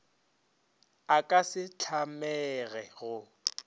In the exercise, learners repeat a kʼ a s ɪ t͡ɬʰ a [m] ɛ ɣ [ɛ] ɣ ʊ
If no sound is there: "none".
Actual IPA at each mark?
m, ɛ

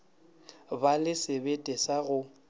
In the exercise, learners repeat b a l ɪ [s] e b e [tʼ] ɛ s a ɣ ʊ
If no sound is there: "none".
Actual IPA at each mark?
s, tʼ

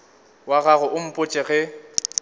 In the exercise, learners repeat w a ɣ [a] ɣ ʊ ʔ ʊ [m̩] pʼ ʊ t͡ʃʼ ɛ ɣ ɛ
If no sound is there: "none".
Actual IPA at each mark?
a, m̩

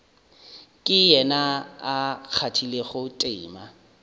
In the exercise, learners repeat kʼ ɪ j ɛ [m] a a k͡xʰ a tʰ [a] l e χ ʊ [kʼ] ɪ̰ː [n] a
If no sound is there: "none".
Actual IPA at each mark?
n, i, tʼ, m

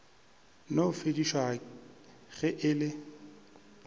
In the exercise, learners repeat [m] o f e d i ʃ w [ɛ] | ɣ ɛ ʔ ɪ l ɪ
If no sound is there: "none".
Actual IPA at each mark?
n, a

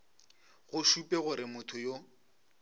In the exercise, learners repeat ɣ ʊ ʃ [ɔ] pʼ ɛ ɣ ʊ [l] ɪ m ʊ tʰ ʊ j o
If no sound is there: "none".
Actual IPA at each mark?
u, ɾ

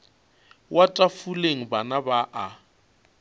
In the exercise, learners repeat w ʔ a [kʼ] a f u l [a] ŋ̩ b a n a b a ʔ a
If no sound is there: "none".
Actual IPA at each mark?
tʼ, e

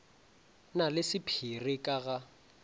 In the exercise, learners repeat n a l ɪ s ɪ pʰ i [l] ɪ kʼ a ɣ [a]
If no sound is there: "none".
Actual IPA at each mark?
r, a

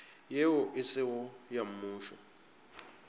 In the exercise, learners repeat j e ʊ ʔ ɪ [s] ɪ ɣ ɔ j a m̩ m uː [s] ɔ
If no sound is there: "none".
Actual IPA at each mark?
s, ʃ

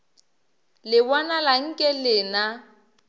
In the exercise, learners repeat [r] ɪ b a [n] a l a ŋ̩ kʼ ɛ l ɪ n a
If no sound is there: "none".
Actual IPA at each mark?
l, n

